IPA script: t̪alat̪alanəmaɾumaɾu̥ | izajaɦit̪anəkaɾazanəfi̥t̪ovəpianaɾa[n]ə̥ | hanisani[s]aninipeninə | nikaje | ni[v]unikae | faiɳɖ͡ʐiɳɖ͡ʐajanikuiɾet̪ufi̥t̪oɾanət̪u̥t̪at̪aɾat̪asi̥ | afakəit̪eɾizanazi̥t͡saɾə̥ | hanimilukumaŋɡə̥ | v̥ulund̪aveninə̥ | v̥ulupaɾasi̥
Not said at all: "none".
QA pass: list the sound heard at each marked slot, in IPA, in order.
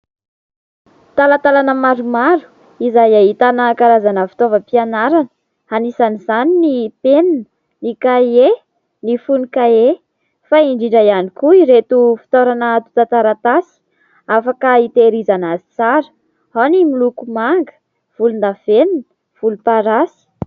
n, z, f

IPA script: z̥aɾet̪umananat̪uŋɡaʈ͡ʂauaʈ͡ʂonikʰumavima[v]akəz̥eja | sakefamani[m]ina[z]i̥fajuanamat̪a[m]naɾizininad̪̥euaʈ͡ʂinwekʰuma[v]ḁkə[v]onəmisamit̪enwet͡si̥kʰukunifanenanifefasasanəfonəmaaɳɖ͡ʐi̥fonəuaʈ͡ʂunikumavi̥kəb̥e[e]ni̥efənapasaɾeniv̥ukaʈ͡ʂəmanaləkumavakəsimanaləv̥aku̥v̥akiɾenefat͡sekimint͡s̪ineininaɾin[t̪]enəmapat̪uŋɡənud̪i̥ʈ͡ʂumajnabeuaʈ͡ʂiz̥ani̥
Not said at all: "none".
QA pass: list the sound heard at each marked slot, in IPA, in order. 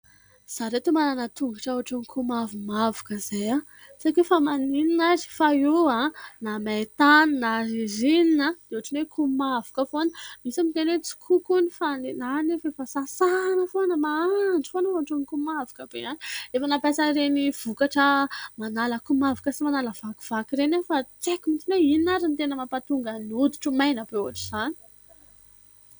v, n, z, n, v, f, a, t̪

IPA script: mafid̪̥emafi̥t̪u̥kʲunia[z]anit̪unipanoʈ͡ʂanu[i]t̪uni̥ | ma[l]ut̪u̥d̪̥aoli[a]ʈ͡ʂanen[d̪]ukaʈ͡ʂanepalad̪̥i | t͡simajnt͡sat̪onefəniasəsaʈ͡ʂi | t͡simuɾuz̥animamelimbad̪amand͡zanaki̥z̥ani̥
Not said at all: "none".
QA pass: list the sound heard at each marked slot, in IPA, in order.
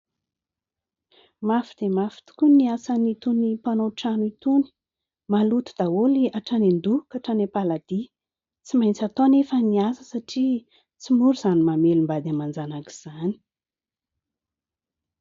s, i, l, a, d̪

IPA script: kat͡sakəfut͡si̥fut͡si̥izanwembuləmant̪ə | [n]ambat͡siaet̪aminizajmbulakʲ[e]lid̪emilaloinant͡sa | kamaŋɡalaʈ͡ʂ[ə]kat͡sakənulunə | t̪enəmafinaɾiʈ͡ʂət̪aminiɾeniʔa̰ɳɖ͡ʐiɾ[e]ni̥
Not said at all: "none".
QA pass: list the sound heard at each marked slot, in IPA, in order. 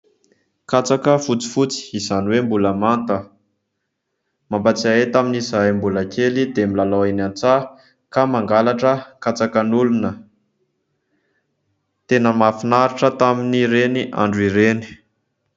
m, e, ə, e

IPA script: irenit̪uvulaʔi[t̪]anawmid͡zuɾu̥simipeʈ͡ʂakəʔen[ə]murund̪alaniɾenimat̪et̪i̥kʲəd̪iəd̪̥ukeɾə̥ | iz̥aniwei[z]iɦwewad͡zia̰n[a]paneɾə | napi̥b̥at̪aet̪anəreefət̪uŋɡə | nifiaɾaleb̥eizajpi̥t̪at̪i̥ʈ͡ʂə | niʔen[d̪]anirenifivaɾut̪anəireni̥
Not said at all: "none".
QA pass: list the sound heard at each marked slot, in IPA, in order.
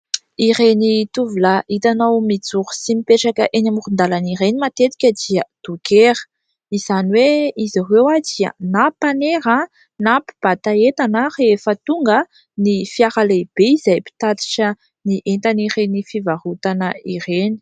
t̪, a, z, a, t̪

